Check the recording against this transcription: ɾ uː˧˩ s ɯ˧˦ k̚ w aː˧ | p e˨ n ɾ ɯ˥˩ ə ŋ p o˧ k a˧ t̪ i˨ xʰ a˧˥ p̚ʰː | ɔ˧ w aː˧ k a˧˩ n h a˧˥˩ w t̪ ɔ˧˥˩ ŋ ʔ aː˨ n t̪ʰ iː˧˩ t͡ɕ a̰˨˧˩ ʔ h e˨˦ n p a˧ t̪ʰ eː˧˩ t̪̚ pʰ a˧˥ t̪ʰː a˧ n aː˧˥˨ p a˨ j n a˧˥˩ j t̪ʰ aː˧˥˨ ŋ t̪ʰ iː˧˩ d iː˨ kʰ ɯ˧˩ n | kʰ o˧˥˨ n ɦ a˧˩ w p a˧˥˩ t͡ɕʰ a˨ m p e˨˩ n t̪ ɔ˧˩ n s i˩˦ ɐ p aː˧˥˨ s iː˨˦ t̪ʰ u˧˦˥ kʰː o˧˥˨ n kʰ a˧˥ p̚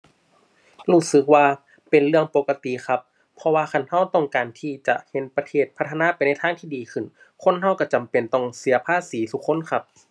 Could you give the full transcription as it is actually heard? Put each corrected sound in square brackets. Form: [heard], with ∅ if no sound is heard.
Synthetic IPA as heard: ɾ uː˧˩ s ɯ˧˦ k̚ w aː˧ | p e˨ n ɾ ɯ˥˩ ə ŋ p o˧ k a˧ t̪ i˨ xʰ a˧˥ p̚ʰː | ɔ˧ w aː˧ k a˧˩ n h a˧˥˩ w t̪ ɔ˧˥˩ ŋ [k] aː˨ n t̪ʰ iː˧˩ t͡ɕ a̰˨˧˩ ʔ h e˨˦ n p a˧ t̪ʰ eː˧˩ t̪̚ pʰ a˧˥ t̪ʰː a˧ n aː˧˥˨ p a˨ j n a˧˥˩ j t̪ʰ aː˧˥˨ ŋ t̪ʰ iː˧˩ d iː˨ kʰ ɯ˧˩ n | kʰ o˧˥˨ n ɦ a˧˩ w [k] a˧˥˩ [t͡ɕ] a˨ m p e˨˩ n t̪ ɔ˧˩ [ŋ] s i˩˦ ɐ [pʰ] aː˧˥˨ s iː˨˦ t̪ʰ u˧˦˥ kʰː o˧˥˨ n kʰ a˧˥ p̚